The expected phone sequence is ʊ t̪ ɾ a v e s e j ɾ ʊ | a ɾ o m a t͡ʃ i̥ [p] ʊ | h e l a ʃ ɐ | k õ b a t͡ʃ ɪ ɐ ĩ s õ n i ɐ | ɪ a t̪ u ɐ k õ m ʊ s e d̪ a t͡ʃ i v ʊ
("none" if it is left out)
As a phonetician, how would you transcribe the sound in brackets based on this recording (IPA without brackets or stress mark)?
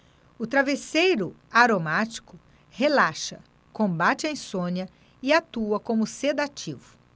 k